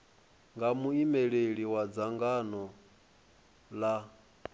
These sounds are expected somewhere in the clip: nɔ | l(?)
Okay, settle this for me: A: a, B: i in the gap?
A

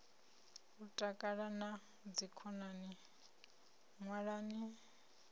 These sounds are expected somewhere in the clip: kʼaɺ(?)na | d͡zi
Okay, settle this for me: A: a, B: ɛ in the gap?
A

